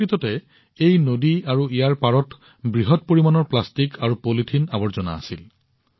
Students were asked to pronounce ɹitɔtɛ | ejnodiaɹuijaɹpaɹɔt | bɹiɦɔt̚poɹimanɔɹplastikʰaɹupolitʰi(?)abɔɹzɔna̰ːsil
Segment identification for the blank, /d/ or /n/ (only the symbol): n